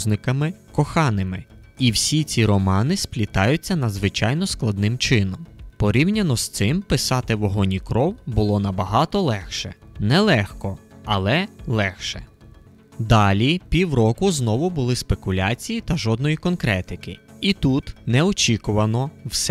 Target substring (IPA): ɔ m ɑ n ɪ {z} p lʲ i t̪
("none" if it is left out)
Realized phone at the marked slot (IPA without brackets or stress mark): s